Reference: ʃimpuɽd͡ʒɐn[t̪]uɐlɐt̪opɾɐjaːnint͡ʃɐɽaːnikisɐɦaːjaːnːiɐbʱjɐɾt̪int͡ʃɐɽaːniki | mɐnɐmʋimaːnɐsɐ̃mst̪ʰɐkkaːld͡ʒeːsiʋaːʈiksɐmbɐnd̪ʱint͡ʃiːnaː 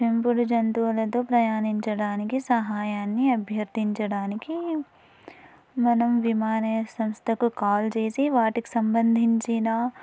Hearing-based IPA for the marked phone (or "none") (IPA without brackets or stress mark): t̪